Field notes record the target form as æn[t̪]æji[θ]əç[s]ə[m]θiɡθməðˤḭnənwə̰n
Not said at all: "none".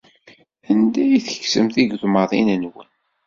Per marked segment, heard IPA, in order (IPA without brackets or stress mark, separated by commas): d̪, θ, s, m